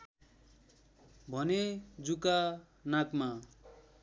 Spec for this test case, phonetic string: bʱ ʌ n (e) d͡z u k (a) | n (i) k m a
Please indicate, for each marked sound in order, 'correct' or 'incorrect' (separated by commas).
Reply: correct, correct, incorrect